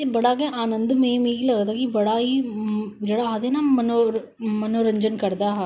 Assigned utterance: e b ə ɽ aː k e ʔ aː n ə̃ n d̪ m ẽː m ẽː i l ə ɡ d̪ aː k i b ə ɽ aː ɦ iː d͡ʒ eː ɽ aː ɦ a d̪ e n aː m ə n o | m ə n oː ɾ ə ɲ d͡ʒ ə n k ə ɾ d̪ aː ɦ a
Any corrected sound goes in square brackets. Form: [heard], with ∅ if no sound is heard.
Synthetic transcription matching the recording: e b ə ɽ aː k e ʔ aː n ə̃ n d̪ m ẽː m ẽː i l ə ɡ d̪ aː k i b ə ɽ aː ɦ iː d͡ʒ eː ɽ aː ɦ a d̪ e n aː m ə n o | m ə n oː ɾ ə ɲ d͡ʒ ə n k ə ɾ d̪ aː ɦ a